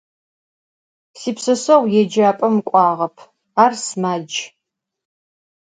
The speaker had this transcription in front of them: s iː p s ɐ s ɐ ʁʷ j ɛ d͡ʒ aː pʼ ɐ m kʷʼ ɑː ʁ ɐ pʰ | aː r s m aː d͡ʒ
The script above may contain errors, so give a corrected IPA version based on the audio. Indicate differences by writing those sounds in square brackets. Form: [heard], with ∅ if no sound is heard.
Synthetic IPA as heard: s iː p s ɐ s ɐ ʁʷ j ɛ d͡ʒ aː pʼ ɐ m kʷʼ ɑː ʁ ɐ pʰ | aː r s m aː d͡ʒ